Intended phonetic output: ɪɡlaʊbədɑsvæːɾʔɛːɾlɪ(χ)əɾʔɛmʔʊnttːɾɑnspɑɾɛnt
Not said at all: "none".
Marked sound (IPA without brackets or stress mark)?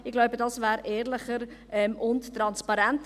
χ